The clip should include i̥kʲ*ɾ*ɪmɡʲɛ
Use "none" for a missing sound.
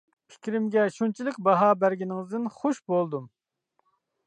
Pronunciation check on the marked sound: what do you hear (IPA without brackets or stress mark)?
ɾ